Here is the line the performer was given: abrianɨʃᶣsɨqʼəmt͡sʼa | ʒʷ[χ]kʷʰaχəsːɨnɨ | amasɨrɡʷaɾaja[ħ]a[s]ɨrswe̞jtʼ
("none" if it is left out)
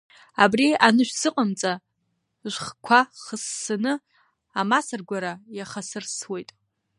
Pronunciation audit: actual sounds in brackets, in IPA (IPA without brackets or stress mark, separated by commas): χ, χ, s